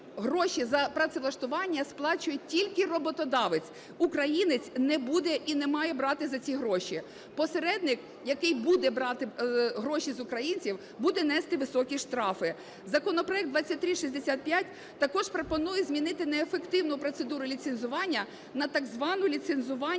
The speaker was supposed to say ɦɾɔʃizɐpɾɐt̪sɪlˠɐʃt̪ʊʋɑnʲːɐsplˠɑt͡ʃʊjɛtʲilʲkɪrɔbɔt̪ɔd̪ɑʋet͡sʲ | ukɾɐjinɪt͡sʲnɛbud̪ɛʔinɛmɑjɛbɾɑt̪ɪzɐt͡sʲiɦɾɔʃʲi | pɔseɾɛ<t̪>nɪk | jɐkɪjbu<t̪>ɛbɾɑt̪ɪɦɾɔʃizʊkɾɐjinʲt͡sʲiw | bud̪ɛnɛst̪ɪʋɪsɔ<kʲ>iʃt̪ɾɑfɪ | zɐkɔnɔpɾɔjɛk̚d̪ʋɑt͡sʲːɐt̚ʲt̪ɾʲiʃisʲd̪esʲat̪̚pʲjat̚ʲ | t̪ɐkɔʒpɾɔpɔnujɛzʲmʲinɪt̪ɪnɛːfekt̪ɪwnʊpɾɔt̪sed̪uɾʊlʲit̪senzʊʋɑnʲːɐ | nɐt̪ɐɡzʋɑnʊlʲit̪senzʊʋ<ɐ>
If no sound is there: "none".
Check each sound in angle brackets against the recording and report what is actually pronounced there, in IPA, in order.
d̪, d̪, kʲ, ɑ

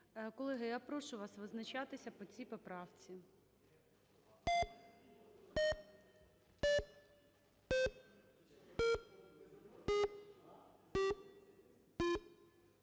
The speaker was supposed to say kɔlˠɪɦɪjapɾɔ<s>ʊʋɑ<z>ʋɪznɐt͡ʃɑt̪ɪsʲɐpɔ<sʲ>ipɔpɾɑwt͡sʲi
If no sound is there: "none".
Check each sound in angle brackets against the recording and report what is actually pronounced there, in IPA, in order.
ʃ, s, t͡sʲ

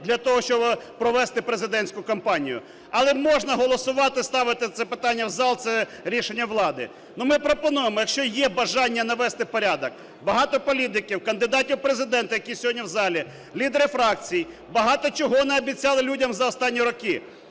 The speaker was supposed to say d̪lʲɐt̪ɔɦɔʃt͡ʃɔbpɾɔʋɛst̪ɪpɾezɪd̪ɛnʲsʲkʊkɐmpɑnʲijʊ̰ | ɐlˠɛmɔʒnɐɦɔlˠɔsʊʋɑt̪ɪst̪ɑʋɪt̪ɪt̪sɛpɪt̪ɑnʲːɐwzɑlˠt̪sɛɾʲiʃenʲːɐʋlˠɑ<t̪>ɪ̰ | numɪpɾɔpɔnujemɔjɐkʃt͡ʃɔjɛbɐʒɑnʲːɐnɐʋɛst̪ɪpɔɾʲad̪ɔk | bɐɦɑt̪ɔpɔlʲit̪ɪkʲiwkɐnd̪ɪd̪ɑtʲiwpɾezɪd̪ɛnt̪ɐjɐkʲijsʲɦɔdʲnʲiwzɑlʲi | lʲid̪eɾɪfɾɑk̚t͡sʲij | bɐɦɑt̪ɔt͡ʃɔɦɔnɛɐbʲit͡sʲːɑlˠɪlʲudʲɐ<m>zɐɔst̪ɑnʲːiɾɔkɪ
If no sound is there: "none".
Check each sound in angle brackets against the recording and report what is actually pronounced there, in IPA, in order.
d̪, m

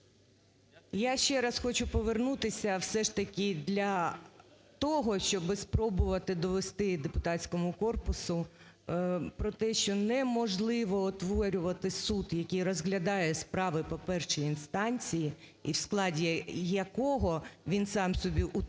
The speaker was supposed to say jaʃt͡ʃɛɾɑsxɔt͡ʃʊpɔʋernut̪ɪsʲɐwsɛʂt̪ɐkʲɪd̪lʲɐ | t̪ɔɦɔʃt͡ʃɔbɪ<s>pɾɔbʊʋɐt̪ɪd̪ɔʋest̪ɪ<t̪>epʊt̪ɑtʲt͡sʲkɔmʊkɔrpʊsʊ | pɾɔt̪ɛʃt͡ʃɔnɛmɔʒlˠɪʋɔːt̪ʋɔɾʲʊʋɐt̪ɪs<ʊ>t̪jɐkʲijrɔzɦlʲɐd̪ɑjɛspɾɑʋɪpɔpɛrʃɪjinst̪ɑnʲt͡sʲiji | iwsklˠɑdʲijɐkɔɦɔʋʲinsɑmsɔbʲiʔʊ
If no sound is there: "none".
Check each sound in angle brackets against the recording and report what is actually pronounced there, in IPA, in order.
s, d̪, u

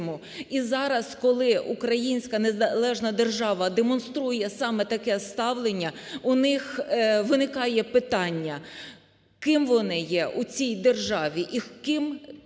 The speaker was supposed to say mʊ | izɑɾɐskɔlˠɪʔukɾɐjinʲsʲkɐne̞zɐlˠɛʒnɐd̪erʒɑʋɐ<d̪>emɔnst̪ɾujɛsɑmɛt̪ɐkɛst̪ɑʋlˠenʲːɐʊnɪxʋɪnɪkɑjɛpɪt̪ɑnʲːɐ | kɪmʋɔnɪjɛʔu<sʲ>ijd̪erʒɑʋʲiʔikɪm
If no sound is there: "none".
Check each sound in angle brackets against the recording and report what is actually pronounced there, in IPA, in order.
d̪, t͡sʲ

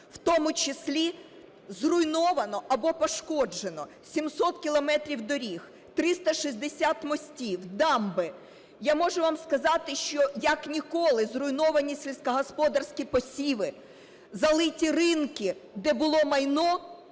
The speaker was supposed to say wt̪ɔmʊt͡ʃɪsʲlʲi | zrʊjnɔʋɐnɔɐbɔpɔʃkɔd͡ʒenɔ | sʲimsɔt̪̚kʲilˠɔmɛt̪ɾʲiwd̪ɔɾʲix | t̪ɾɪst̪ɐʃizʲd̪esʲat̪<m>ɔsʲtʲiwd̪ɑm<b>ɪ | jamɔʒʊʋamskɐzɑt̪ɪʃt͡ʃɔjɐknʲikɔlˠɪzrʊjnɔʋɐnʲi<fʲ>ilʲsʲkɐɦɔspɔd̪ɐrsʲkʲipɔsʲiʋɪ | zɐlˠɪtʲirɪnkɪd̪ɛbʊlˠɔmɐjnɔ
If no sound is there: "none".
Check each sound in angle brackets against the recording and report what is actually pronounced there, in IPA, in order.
m, b, sʲ

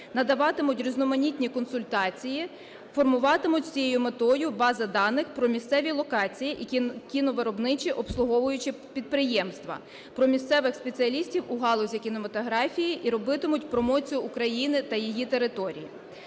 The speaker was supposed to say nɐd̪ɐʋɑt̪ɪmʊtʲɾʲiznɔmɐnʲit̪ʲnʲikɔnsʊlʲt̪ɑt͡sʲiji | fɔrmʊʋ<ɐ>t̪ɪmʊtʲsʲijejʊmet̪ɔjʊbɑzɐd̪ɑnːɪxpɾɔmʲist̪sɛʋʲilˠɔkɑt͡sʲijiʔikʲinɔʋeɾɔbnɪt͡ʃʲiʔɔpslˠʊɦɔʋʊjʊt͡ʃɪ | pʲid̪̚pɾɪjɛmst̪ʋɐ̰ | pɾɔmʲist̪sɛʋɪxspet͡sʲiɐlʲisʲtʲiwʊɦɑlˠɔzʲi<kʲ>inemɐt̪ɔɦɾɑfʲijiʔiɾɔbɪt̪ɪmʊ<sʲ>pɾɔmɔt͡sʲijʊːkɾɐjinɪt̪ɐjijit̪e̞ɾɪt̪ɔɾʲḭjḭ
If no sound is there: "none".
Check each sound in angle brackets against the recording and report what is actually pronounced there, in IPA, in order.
ɑ, kʲ, tʲ

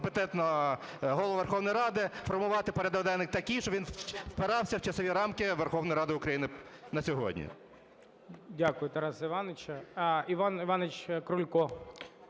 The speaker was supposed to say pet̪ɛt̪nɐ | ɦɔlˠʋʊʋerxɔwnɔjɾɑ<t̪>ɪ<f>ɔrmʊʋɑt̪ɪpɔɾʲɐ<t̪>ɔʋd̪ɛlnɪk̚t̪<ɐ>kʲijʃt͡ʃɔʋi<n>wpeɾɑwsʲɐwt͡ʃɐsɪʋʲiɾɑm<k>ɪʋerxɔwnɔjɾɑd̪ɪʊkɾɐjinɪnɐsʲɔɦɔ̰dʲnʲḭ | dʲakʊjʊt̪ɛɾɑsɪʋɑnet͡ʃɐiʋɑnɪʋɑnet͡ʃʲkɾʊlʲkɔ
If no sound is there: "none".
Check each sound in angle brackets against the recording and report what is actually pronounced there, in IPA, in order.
d̪, f, d̪, ɐ, n, k

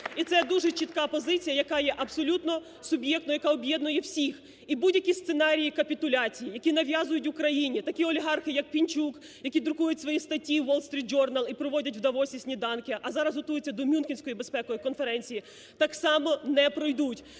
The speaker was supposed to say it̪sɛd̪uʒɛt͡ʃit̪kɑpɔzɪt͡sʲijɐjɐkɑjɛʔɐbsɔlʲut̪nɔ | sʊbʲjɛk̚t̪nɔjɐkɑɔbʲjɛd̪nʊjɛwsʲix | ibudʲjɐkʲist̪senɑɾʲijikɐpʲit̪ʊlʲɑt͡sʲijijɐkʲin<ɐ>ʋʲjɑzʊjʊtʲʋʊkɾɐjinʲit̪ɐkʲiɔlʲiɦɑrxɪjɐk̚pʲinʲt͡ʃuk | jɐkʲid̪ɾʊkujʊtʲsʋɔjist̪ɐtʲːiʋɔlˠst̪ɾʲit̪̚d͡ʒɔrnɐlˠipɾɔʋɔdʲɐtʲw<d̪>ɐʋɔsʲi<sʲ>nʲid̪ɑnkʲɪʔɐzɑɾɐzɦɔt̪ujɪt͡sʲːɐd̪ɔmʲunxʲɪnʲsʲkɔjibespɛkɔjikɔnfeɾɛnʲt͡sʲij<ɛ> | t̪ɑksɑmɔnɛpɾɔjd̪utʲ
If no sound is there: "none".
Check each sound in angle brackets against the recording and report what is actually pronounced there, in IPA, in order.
ɐ, d̪, sʲ, i

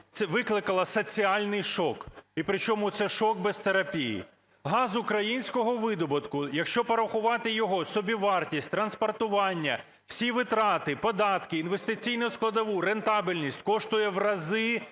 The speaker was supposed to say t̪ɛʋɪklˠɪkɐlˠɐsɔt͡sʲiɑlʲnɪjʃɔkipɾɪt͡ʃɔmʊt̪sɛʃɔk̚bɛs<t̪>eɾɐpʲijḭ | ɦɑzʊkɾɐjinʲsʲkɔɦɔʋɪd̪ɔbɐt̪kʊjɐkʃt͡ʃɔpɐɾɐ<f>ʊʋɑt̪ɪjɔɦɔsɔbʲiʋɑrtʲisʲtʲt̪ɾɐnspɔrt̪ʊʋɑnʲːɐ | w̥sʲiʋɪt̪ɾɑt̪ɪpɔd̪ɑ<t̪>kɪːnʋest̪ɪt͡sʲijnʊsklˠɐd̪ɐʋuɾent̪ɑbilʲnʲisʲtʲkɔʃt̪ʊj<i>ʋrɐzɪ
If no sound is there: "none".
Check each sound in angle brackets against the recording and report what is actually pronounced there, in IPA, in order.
t̪, x, t̪, ɛ

